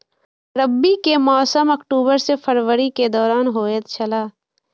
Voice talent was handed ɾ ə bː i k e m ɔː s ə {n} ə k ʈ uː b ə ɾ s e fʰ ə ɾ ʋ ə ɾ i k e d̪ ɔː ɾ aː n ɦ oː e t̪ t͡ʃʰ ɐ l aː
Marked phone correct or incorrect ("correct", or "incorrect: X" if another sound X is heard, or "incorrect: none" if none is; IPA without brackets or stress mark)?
incorrect: m